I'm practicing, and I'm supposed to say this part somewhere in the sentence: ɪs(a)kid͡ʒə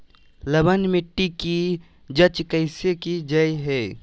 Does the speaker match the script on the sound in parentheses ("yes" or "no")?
no